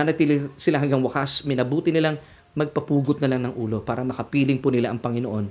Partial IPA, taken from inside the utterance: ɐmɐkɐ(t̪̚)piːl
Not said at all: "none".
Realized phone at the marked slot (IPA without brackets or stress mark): none